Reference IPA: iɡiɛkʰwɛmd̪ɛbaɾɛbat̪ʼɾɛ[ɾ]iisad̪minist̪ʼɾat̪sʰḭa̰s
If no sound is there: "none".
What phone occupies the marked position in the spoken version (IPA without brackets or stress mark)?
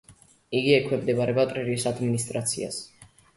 ɾ